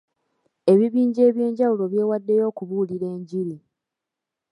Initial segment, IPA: e̞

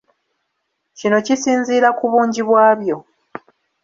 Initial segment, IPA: c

